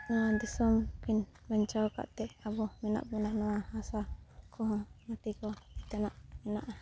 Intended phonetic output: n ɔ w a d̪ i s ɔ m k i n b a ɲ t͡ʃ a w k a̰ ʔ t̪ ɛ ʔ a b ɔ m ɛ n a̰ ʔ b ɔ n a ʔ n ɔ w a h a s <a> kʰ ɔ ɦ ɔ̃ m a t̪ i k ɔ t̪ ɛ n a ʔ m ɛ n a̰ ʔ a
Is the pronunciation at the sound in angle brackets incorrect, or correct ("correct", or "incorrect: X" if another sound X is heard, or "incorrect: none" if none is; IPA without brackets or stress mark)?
correct